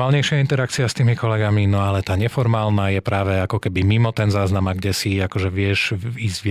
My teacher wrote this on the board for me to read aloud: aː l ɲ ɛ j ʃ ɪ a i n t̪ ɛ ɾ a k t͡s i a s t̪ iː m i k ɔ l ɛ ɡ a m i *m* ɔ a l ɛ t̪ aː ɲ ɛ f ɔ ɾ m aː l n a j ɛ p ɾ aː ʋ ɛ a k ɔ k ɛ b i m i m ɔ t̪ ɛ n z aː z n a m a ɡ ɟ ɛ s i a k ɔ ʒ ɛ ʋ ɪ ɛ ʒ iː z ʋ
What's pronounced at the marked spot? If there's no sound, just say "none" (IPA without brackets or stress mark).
n